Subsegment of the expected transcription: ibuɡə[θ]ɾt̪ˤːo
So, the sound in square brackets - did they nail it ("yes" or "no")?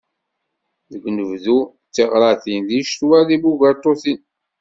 no